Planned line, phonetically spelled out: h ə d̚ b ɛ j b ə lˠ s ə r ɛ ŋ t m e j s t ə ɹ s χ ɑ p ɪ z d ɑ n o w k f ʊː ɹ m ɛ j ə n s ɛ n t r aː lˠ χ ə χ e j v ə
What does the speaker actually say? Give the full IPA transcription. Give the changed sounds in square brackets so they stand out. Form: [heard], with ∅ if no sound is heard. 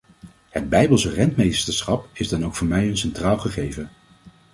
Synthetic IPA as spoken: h ə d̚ b ɛ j b ə lˠ s ə r ɛ [n] t m e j s t ə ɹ s χ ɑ p ɪ z d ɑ n o w k f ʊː ɹ m ɛ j ə n s ɛ n t r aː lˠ χ ə χ e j v ə